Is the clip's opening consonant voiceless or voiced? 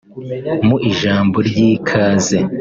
voiced